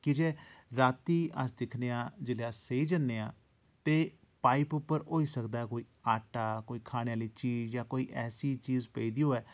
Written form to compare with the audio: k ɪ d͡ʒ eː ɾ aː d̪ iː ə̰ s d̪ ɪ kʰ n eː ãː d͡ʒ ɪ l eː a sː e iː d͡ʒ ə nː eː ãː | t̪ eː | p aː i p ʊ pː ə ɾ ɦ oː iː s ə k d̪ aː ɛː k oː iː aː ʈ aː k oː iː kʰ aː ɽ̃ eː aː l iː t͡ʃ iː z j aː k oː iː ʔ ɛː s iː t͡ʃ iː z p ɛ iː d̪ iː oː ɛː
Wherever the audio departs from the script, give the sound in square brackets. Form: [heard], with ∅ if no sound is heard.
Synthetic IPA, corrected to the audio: k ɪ d͡ʒ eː ɾ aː [t̪] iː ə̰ s d̪ ɪ kʰ n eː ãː d͡ʒ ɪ l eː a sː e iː d͡ʒ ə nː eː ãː | t̪ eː | p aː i p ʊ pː ə ɾ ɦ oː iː s ə k d̪ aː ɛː k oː iː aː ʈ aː k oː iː kʰ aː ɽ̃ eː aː l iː t͡ʃ iː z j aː k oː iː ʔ ɛː s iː t͡ʃ iː z p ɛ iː d̪ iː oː ɛː